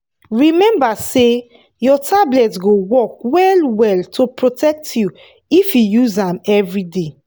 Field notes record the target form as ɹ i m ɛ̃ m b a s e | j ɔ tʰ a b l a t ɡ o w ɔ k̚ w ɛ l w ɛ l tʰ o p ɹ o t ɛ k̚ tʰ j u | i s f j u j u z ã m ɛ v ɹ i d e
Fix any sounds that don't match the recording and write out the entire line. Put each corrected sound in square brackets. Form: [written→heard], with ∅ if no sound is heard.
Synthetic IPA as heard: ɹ i m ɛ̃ m b a s e | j ɔ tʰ a b l [a→ɛ] t ɡ o w ɔ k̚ w ɛ l w ɛ l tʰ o p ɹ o t ɛ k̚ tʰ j u | i [s→∅] f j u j u z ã m ɛ v ɹ i d e